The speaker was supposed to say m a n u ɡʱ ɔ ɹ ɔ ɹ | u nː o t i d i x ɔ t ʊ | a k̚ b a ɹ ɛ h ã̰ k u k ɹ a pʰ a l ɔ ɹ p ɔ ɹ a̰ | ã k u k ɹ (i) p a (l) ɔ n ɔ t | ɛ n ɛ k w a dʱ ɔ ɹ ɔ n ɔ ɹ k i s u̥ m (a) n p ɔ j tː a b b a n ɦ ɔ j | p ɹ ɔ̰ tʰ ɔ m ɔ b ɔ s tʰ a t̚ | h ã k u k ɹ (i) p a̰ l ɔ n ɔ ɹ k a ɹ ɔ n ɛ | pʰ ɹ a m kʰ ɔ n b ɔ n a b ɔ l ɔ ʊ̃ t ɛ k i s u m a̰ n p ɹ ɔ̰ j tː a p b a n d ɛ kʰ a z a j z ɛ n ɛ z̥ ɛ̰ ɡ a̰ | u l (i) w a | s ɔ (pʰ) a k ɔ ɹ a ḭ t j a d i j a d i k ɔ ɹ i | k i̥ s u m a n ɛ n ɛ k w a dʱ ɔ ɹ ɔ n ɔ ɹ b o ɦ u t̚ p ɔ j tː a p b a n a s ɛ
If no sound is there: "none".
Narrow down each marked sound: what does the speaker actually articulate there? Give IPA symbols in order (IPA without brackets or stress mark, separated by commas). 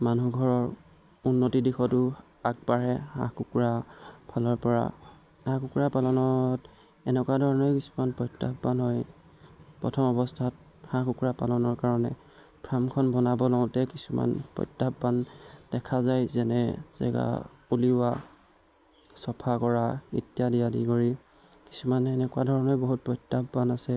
a, l, a, a, i, pʰ